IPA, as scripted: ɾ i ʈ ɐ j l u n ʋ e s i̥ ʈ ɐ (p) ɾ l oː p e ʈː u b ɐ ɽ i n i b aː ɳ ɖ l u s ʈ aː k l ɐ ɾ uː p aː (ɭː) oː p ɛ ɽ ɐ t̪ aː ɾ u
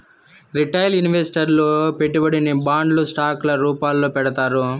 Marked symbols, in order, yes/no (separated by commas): no, no